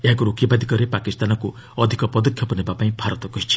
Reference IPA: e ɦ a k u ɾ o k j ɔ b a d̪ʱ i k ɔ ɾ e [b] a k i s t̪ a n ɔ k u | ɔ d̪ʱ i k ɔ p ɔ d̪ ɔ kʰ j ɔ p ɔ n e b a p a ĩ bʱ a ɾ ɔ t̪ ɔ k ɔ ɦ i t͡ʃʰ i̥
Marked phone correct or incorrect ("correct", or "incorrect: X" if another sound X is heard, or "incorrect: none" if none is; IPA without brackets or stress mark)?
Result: incorrect: p